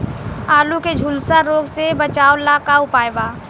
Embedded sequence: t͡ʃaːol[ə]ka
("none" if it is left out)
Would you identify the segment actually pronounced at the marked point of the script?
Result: a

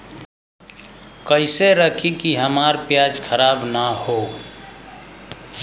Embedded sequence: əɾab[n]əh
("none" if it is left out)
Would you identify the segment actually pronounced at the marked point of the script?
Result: n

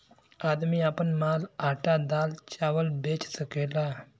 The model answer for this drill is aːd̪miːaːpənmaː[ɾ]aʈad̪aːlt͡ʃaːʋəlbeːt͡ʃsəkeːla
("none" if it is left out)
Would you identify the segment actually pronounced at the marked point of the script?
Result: l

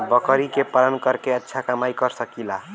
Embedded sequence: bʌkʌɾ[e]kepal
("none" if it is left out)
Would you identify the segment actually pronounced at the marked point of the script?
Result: i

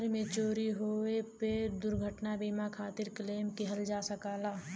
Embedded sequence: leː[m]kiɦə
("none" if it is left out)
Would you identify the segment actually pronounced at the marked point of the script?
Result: m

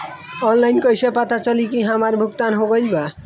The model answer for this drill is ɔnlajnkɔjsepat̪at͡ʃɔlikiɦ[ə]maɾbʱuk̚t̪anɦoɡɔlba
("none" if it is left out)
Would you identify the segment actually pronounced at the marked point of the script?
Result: a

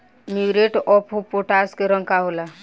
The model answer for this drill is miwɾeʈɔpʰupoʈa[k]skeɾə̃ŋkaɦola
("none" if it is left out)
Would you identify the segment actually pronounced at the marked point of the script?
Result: none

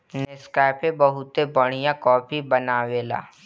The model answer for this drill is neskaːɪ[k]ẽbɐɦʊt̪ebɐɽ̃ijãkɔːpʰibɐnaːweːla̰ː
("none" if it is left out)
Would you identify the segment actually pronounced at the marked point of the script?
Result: p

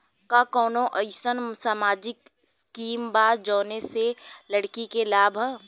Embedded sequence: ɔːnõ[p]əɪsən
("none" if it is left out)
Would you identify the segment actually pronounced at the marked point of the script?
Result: ʔ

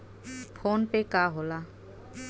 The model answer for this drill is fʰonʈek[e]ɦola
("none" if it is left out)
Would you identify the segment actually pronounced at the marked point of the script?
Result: a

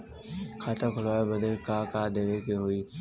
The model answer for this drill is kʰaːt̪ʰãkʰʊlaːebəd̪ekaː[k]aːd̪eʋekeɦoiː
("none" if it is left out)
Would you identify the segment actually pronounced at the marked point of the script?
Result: k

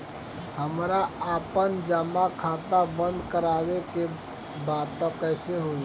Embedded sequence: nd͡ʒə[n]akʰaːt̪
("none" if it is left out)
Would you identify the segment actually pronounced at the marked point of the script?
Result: m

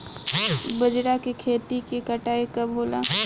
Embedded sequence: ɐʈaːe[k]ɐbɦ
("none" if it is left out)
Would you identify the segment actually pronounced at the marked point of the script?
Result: k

